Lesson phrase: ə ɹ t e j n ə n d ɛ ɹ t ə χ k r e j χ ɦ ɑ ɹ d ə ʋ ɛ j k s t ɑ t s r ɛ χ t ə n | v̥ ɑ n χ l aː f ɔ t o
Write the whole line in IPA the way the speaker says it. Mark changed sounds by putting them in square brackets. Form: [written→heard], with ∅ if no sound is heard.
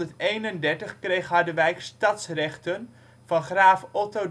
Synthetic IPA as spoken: ə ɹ t e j n ə n d ɛ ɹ t ə χ k r e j χ ɦ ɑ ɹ d ə ʋ ɛ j k s t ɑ t s r ɛ χ t ə n | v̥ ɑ n χ [l→r] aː f ɔ t o